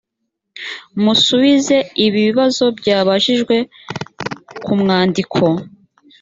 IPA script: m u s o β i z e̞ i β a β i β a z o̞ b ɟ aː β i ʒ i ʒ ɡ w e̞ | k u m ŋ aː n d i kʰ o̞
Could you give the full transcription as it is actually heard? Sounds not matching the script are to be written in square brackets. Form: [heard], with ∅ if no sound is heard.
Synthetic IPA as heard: m u s [u] β i z e̞ i β [i] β i β a z o̞ b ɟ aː β [a] ʒ i ʒ ɡ w e̞ | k u m ŋ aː n d i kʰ o̞